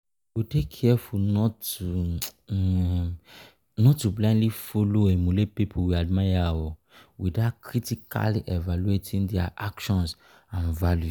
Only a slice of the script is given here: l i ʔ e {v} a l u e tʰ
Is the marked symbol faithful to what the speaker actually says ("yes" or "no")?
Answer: yes